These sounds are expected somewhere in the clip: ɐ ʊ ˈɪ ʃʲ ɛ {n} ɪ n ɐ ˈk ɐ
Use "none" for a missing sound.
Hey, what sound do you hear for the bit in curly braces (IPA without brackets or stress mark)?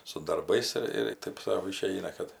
none